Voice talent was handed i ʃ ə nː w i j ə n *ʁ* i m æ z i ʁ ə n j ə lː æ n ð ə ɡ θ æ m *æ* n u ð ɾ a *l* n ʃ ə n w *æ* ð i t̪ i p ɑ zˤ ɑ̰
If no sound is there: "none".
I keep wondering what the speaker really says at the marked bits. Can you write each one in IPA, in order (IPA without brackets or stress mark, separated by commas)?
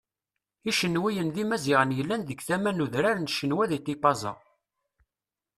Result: ð, æ, ɾ, æ